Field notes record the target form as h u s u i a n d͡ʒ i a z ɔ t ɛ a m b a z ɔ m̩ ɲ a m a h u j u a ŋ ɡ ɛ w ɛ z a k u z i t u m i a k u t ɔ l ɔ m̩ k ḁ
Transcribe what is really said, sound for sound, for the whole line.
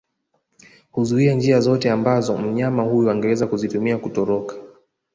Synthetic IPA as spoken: h u z u i a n d͡ʒ i a z ɔ t ɛ a m b a z ɔ m̩ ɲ a m a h u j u a ŋ ɡ ɛ w ɛ z a k u z i t u m i a k u t ɔ ɾ ɔ k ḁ